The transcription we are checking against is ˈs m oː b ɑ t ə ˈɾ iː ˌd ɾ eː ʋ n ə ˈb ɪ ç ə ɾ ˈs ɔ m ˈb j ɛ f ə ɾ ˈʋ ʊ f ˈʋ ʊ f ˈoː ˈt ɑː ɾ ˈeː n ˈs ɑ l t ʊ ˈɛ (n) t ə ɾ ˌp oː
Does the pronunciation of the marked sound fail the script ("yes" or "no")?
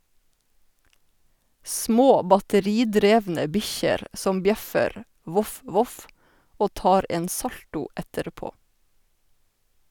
yes